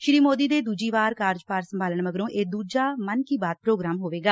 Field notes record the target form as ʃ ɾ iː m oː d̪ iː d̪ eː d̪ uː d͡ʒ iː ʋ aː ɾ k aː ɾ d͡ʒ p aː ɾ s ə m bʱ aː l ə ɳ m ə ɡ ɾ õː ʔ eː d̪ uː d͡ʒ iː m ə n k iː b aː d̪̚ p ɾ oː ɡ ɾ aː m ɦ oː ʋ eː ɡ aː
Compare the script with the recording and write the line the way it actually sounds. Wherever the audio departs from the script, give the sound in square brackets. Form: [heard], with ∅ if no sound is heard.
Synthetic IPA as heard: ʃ ɾ iː m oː d̪ iː d̪ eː d̪ uː d͡ʒ iː ʋ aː ɾ k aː ɾ d͡ʒ p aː ɾ s ə m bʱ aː l ə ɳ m ə ɡ ɾ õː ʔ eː d̪ uː d͡ʒ [aː] m ə n k iː b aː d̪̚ p ɾ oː ɡ ɾ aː m ɦ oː ʋ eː ɡ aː